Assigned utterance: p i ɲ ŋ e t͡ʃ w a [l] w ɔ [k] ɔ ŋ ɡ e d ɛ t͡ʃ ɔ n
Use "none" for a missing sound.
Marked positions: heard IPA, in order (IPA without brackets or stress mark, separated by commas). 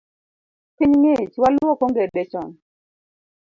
l, k